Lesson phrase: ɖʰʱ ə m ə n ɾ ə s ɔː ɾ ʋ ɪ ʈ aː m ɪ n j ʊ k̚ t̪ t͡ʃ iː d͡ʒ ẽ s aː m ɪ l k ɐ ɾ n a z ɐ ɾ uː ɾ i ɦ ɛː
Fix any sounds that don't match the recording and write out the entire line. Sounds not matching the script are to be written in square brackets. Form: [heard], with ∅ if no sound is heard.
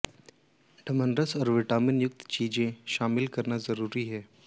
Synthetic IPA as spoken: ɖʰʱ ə m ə n ɾ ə s ɔː ɾ ʋ ɪ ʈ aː m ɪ n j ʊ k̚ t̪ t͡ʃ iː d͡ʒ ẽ [ʃ] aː m ɪ l k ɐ ɾ n a z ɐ ɾ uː ɾ i ɦ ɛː